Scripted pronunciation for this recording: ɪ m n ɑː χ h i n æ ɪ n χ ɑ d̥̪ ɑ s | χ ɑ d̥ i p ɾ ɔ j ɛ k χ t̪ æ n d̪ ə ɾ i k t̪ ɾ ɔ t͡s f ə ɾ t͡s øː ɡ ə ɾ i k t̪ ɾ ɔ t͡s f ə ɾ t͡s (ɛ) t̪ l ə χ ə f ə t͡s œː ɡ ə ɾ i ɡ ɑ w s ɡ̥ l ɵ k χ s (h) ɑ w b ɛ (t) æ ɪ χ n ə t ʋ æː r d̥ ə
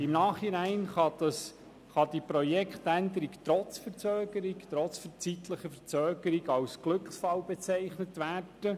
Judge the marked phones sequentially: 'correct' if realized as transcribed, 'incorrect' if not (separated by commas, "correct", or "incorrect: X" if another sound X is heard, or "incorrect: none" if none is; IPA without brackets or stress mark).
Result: incorrect: i, incorrect: f, incorrect: t͡s